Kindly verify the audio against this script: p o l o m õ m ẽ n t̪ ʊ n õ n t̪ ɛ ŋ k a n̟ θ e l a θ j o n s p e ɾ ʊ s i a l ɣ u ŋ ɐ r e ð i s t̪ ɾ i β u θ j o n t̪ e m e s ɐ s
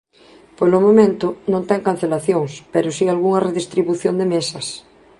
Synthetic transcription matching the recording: p o l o m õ m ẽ n t̪ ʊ n õ n t̪ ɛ ŋ k a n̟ θ e l a θ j o ŋ s p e ɾ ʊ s i a l ɣ u ŋ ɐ r e ð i s t̪ ɾ i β u θ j o n d̪ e m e s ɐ s